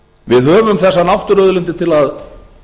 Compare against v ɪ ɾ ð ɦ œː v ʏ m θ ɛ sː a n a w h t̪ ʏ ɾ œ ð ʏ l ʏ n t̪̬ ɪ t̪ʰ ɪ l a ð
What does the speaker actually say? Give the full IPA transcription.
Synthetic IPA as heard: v ɪ ð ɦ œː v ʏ m θ ɛ sː a n a w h t̪ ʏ ɾ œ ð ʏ l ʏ n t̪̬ ɪ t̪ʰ ɪ l a ð